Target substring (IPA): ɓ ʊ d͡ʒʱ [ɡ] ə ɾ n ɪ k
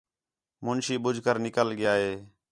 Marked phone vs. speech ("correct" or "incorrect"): incorrect